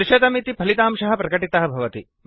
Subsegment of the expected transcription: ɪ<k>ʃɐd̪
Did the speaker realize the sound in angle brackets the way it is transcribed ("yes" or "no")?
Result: no